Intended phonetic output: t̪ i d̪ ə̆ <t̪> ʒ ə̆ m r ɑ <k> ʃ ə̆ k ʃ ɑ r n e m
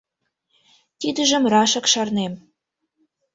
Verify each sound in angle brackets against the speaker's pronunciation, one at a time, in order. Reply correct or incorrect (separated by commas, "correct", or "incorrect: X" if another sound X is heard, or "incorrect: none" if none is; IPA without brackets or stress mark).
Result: incorrect: none, incorrect: none